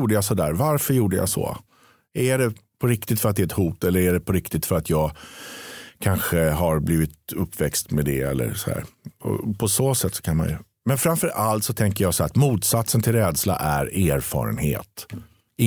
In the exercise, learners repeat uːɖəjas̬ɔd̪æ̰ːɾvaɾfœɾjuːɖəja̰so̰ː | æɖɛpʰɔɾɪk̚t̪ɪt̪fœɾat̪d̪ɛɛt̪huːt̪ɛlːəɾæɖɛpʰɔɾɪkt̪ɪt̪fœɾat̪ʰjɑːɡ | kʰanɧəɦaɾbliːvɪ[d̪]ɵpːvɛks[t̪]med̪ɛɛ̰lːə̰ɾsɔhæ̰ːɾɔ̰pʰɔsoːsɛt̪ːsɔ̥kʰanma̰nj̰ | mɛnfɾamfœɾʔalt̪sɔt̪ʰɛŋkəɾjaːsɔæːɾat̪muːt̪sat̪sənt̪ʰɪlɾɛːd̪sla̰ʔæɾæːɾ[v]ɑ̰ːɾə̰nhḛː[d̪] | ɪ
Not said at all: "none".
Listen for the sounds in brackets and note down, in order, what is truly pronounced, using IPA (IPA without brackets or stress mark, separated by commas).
t̪, t̪, f, t̪